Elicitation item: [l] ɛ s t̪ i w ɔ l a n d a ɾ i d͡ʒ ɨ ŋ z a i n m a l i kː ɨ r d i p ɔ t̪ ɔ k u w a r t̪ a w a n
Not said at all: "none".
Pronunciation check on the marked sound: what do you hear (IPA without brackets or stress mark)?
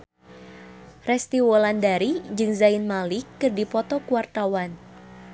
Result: r